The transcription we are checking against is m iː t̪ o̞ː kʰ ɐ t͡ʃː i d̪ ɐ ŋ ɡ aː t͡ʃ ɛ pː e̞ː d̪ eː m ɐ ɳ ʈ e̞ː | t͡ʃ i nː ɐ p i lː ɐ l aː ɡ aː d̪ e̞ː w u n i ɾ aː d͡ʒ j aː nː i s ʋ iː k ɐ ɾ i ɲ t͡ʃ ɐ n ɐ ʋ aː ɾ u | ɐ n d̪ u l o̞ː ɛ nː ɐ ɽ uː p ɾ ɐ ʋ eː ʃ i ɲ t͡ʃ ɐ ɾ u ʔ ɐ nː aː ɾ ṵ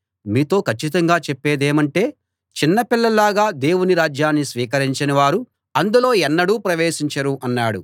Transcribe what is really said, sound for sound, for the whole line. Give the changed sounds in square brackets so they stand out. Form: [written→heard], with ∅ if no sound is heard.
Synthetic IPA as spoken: m iː t̪ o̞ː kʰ ɐ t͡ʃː i [d̪→t̪] ɐ ŋ ɡ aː t͡ʃ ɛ pː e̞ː d̪ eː m ɐ ɳ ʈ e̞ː | t͡ʃ i nː ɐ p i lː ɐ l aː ɡ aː d̪ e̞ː w u n i ɾ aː d͡ʒ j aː nː i s ʋ iː k ɐ ɾ i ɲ t͡ʃ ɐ n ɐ ʋ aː ɾ u | ɐ n d̪ u l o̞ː ɛ nː ɐ ɽ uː p ɾ ɐ ʋ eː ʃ i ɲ t͡ʃ ɐ ɾ u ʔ ɐ nː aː [ɾ→ɽ] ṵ